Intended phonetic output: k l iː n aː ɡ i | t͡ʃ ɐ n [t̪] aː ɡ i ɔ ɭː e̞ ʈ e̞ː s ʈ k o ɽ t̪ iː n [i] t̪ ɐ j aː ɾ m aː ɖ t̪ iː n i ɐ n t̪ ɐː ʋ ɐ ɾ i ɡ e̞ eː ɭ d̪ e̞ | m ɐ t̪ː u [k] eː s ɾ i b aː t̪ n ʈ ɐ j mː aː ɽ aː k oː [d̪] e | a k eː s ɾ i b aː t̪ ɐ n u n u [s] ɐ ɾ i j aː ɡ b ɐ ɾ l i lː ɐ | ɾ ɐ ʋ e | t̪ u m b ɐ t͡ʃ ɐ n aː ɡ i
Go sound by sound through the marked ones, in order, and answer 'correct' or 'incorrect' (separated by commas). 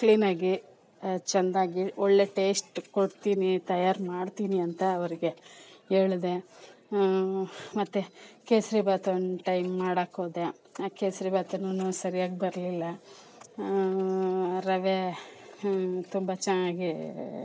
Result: incorrect, correct, correct, correct, correct